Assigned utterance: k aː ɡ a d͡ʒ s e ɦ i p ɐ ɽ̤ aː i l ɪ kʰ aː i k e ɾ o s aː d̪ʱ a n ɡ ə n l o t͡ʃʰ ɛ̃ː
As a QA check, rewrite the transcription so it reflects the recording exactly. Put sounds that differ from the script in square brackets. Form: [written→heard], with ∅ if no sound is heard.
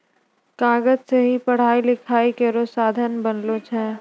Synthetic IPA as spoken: k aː ɡ [a→ə] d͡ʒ s e ɦ i p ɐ ɽ̤ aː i l ɪ kʰ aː i k e ɾ o s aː d̪ʱ [a→ə] n [ɡ→b] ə n l o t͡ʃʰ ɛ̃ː